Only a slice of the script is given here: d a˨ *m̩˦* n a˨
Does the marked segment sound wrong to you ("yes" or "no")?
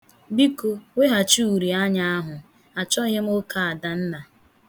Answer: yes